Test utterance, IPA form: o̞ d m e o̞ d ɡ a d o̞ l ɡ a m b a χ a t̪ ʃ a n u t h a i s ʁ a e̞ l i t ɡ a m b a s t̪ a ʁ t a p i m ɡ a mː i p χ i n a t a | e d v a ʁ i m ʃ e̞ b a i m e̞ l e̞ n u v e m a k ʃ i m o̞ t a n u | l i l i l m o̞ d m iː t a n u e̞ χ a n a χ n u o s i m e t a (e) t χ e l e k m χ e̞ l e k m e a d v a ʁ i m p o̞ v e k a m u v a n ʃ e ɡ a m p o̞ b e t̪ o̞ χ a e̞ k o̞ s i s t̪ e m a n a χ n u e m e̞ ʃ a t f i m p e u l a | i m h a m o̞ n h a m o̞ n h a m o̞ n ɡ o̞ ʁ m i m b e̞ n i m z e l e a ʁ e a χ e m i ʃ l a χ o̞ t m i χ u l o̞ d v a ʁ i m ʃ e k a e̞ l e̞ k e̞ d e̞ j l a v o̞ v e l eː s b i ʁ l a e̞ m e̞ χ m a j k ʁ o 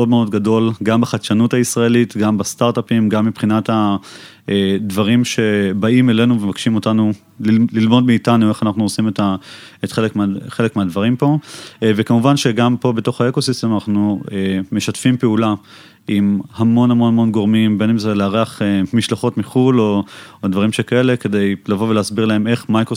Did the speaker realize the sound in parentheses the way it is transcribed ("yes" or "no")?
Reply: yes